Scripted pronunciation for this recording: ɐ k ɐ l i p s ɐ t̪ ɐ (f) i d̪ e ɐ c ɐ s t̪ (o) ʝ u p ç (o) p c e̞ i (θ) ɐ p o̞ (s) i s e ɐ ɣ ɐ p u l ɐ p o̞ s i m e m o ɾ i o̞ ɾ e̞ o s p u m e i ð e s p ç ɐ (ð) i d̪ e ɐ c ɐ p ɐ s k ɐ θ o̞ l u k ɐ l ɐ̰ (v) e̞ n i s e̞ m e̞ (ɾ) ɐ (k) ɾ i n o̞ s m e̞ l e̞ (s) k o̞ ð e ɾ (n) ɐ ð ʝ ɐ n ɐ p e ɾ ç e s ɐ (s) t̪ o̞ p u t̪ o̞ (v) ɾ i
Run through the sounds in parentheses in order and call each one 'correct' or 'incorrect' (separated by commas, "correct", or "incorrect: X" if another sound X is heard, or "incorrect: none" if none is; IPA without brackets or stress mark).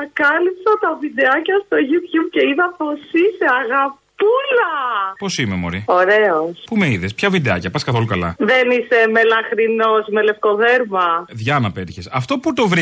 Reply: incorrect: v, correct, incorrect: u, incorrect: ð, correct, incorrect: v, incorrect: ð, incorrect: l, incorrect: x, incorrect: f, incorrect: m, incorrect: f, correct